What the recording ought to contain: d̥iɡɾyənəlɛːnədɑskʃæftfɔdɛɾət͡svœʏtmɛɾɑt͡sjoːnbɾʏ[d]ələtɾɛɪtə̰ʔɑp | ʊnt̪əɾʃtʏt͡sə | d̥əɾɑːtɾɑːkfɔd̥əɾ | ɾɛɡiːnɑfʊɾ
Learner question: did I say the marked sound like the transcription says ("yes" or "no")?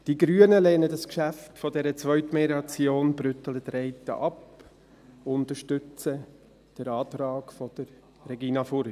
no